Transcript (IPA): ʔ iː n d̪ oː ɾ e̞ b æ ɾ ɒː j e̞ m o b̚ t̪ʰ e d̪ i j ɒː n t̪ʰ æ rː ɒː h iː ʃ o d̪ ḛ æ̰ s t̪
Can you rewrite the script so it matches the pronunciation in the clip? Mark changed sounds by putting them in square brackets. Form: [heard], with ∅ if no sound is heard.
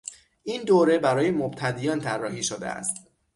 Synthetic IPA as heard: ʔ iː n d̪ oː ɾ e̞ b æ ɾ ɒː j e̞ m o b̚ t̪ʰ [æ] d̪ i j ɒː n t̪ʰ æ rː ɒː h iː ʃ o d̪ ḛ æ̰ s t̪